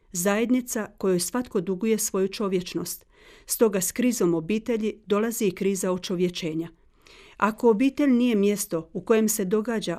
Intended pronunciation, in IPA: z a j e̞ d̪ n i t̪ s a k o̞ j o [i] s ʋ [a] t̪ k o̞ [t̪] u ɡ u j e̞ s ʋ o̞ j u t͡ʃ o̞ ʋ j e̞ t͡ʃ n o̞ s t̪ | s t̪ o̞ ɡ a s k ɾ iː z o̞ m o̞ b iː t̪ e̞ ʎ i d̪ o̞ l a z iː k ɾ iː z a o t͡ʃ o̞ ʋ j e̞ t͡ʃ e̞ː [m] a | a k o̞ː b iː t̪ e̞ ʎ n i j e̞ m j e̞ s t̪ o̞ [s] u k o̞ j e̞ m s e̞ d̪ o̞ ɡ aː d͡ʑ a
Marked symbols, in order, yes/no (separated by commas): no, yes, no, no, no